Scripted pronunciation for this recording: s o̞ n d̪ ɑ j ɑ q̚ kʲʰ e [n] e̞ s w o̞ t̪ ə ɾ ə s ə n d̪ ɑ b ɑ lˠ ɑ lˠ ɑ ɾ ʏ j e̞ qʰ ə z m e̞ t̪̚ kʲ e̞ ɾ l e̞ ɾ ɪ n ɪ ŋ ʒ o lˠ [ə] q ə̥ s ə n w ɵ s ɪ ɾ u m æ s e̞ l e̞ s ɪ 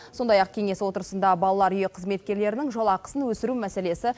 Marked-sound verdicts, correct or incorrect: incorrect, incorrect

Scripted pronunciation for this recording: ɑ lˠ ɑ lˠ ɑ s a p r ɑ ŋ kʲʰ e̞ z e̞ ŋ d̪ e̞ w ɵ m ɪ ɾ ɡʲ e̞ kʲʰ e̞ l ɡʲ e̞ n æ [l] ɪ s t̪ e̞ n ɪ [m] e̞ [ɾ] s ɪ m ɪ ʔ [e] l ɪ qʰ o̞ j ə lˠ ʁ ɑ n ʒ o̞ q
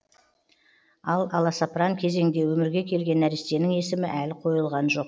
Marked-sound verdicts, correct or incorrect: incorrect, incorrect, incorrect, incorrect

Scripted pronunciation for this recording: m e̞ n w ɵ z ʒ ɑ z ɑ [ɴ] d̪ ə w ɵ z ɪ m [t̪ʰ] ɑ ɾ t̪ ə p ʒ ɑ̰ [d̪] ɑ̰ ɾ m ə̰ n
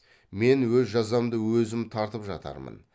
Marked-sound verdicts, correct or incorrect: incorrect, correct, incorrect

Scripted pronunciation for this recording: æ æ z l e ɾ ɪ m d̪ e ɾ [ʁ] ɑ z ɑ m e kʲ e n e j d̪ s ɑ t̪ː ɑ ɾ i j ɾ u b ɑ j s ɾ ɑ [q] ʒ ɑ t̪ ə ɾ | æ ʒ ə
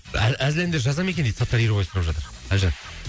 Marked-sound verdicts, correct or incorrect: incorrect, incorrect

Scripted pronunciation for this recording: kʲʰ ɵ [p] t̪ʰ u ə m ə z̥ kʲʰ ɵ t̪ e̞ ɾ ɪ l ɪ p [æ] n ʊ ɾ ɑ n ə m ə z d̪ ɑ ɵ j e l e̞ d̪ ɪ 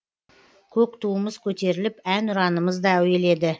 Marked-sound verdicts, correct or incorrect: incorrect, correct

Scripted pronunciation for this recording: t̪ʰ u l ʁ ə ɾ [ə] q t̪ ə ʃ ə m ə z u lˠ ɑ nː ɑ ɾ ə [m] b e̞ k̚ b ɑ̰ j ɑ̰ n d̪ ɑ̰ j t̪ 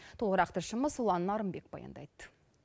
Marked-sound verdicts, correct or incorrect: incorrect, correct

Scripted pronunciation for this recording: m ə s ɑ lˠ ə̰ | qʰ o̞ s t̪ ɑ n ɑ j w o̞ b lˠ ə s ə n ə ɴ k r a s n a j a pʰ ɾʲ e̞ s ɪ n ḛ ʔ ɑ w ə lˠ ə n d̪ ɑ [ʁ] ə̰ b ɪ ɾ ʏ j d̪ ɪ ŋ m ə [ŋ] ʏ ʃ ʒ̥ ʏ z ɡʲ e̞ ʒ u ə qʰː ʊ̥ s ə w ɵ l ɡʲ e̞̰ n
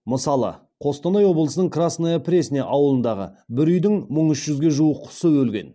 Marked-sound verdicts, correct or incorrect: correct, incorrect

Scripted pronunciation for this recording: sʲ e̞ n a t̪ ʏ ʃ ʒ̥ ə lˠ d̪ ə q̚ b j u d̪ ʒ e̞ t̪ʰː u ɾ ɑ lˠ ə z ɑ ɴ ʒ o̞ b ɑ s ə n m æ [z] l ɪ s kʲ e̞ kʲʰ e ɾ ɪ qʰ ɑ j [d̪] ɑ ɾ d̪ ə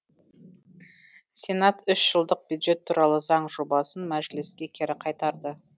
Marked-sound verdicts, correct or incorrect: incorrect, incorrect

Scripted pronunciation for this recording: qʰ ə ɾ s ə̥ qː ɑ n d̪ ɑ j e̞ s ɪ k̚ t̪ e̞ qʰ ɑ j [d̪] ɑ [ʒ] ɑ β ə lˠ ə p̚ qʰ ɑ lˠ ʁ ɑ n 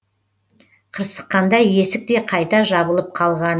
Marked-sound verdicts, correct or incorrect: incorrect, correct

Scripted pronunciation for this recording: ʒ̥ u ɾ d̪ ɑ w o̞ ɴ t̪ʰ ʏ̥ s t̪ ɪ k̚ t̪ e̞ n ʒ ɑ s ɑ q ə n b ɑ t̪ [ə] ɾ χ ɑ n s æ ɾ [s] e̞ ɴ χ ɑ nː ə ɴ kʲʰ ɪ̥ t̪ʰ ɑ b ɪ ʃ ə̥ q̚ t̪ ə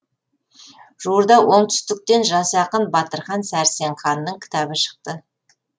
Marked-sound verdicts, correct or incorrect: correct, correct

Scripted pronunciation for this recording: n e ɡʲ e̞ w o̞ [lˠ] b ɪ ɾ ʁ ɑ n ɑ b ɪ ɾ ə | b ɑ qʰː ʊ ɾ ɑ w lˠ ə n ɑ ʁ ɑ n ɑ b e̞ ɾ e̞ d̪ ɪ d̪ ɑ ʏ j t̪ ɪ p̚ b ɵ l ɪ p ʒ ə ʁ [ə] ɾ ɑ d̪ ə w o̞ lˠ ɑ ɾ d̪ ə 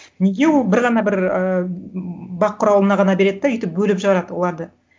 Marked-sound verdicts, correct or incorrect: correct, incorrect

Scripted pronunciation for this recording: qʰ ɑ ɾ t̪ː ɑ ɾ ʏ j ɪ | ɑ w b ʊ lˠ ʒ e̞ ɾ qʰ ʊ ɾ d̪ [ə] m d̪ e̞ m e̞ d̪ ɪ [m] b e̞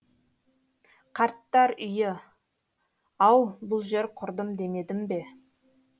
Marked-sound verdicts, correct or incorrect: correct, correct

